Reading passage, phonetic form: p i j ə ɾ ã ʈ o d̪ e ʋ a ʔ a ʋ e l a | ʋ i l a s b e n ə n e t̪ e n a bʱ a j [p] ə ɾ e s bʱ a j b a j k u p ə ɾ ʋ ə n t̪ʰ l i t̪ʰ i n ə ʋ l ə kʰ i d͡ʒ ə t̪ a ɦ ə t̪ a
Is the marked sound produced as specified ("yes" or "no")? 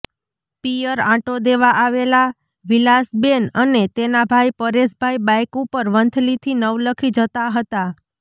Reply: yes